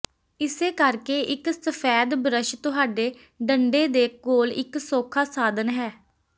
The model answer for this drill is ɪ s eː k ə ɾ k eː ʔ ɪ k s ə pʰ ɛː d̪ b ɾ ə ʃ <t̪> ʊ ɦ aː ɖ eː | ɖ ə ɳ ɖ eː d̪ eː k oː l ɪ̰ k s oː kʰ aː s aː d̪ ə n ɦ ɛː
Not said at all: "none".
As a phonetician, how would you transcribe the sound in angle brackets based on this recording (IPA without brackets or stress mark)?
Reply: t̪